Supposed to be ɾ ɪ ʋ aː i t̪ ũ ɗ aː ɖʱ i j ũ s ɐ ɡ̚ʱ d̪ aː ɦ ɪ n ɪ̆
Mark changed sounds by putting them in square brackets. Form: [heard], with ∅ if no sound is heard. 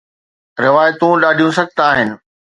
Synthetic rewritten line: ɾ ɪ ʋ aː [j] t̪ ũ ɗ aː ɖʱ i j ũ s ɐ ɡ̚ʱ [t̪] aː ɦ ɪ n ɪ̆